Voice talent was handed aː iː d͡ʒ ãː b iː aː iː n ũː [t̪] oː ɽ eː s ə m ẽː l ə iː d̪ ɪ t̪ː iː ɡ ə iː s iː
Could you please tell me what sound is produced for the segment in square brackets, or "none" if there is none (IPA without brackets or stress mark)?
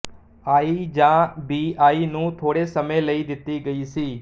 t̪ʰ